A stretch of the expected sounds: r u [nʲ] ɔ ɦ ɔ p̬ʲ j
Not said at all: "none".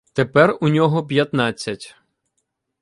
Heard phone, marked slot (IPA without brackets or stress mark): nʲ